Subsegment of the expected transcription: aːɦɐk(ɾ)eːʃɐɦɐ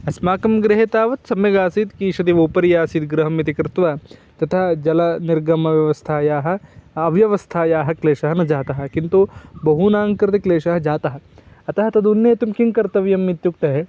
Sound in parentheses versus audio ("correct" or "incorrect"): incorrect